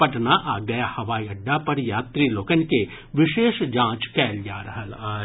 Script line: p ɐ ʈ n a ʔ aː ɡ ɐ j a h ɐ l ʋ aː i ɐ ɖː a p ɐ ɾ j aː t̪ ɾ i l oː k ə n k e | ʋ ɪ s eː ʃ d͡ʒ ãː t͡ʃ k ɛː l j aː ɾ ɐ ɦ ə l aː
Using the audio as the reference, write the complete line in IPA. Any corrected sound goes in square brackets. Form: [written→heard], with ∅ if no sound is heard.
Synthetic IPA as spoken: p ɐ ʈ n a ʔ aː ɡ ɐ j a h ɐ [l→∅] ʋ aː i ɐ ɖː a p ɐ ɾ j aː t̪ ɾ i l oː k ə n k e | ʋ ɪ [s→ʃ] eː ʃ d͡ʒ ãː t͡ʃ k ɛː l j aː ɾ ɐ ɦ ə l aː